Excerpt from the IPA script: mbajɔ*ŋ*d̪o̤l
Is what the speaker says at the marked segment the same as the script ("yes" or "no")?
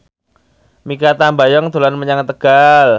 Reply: yes